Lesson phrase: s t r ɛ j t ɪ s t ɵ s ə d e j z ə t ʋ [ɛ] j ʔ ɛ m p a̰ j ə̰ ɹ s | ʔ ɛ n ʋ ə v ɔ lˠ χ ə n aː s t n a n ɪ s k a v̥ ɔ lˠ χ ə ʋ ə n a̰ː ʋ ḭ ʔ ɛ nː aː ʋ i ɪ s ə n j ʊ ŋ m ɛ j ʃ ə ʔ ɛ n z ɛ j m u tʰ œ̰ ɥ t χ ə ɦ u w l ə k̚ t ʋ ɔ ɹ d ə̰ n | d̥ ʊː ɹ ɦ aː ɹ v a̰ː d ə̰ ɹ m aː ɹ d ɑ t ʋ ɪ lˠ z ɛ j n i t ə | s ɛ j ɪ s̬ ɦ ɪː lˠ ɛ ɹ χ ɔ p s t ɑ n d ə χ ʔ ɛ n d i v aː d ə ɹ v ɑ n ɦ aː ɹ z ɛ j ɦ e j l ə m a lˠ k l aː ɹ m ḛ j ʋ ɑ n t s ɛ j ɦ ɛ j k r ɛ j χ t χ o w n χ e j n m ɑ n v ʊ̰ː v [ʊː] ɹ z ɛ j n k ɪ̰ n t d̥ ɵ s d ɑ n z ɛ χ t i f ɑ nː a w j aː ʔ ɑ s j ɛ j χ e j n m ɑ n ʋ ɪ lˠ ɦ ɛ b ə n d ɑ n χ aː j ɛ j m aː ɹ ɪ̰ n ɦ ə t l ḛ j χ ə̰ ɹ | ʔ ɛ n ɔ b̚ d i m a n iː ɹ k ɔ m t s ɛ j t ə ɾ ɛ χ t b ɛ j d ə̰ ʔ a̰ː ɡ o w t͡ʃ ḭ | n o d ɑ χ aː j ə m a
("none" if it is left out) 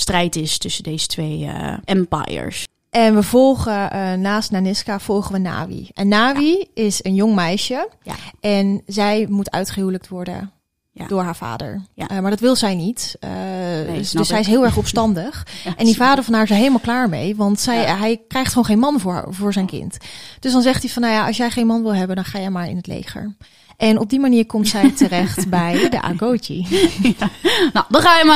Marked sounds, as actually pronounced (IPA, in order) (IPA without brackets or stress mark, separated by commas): e, ʊː